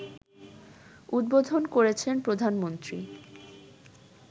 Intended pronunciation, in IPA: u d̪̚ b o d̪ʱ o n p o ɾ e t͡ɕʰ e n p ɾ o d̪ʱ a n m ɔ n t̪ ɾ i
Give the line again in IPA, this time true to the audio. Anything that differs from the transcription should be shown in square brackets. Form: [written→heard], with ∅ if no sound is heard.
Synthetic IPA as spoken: u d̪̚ b o d̪ʱ o n [p→k] o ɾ e t͡ɕʰ e n p ɾ o d̪ʱ a n m [ɔ→o] n t̪ ɾ i